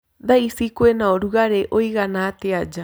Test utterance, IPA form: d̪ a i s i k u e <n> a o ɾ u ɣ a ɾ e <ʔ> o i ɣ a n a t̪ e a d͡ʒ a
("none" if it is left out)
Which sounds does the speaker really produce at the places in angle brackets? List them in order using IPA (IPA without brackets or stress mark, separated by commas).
n, ʔ